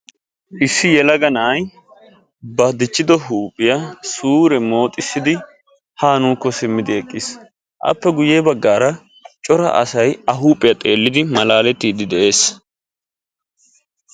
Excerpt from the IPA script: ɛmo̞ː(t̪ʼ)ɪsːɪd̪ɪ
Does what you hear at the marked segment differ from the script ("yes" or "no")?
no